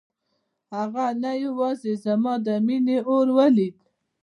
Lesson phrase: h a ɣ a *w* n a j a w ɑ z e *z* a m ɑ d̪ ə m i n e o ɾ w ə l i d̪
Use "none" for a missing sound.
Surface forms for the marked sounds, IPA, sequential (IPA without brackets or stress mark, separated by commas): none, z